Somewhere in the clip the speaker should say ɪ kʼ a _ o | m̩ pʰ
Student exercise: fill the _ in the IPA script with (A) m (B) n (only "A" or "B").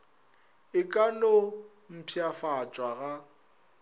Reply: B